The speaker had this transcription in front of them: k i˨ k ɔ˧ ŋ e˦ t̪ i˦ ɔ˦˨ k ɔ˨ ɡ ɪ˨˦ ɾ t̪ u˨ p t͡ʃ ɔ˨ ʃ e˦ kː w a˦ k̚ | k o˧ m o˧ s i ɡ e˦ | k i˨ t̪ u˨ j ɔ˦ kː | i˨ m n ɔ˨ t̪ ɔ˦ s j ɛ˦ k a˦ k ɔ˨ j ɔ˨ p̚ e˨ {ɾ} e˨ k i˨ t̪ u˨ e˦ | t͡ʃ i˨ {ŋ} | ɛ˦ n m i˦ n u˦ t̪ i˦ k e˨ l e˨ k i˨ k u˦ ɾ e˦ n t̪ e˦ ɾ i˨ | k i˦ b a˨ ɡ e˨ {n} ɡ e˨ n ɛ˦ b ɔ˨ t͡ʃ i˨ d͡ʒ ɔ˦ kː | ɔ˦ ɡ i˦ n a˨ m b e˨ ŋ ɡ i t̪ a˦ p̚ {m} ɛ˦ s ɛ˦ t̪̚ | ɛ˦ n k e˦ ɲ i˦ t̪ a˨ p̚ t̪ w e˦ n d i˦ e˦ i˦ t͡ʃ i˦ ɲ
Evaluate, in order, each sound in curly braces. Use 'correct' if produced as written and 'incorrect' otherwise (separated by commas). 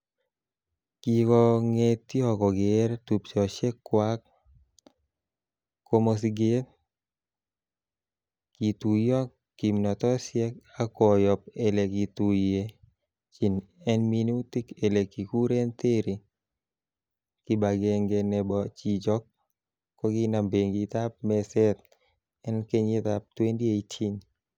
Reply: incorrect, incorrect, incorrect, correct